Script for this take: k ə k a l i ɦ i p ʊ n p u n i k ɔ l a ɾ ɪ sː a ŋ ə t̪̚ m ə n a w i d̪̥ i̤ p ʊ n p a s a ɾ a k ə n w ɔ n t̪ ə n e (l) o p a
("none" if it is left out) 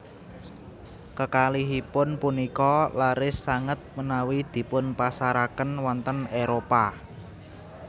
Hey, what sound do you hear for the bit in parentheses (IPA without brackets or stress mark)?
ɾ